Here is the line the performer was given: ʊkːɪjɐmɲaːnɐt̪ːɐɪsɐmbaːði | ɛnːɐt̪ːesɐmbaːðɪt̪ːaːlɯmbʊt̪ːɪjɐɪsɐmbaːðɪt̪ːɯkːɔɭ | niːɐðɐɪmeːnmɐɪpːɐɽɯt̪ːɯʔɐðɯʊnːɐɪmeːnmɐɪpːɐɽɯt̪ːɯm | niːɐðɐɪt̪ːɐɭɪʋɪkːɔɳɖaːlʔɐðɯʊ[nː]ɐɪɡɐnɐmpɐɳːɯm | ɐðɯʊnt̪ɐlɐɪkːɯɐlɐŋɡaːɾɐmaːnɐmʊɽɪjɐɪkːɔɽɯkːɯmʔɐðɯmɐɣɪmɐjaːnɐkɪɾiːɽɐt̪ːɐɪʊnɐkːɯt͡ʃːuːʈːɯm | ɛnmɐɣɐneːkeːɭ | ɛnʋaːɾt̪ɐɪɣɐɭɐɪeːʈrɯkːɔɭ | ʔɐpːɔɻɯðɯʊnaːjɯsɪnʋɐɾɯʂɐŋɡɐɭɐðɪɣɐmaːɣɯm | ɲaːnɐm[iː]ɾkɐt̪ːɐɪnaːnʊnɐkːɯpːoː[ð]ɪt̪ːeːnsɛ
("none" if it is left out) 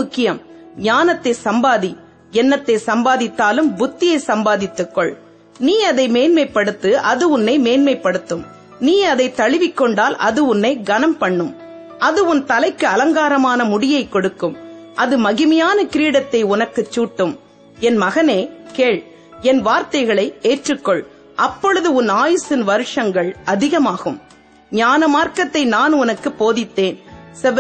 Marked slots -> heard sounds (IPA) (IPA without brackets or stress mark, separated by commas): nː, aː, ð